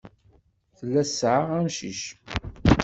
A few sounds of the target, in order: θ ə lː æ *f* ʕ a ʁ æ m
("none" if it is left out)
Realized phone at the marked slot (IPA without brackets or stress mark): s